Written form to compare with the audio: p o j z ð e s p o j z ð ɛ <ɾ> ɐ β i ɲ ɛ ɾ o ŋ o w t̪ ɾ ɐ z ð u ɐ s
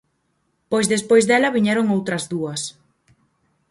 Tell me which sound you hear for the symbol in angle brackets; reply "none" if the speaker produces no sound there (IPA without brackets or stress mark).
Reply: l